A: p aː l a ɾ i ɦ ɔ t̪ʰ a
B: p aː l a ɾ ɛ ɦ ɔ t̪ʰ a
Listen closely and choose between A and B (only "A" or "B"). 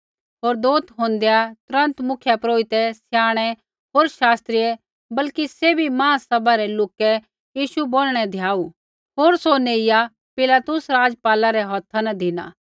B